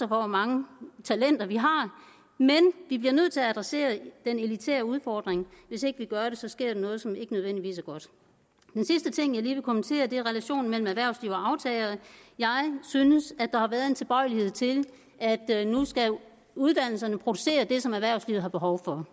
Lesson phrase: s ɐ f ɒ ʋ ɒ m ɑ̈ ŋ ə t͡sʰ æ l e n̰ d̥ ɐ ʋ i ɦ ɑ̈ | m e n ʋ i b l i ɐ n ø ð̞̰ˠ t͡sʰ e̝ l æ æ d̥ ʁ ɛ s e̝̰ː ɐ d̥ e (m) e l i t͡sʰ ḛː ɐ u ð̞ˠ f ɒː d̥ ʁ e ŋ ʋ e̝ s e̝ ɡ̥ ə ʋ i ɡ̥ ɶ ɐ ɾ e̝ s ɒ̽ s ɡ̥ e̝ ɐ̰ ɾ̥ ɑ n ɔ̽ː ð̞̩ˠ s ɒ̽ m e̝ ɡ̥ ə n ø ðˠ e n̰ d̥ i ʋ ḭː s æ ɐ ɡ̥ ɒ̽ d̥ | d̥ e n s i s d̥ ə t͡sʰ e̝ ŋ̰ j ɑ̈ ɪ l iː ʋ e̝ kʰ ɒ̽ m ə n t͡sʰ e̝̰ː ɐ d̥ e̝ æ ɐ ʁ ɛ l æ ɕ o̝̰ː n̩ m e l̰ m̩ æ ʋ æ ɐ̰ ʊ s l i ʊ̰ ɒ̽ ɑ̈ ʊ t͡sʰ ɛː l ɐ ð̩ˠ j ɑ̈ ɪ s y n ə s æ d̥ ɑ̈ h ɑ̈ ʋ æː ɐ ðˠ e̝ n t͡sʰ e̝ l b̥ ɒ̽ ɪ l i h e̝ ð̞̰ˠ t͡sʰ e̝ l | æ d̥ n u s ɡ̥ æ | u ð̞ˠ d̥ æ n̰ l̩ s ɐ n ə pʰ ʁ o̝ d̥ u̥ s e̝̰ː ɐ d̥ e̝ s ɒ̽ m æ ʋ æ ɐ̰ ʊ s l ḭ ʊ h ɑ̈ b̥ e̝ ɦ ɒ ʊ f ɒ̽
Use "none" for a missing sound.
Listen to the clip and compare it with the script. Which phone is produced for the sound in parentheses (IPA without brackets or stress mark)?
n